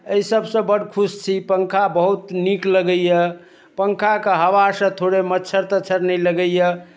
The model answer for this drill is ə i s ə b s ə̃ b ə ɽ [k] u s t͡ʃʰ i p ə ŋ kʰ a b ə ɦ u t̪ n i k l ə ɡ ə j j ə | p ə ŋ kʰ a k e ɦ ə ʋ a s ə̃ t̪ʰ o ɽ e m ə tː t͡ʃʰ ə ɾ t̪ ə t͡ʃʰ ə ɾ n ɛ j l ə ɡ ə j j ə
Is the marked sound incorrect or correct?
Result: incorrect